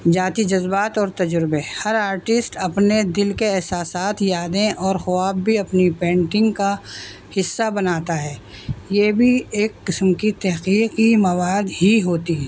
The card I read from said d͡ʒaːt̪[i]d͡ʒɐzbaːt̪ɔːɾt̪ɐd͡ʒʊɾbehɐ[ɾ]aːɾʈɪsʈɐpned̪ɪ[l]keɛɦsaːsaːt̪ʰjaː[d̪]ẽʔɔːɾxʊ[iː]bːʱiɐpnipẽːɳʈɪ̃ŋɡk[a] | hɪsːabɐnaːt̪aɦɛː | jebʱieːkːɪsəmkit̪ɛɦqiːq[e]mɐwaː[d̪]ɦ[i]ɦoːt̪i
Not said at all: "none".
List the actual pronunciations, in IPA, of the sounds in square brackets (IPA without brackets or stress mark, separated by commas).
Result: i, ɾ, l, d̪, aː, a, i, d̪, i